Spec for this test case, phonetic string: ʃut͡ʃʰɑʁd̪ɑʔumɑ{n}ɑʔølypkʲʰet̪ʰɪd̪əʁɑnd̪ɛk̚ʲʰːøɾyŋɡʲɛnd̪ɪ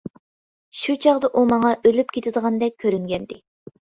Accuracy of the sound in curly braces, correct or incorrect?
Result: incorrect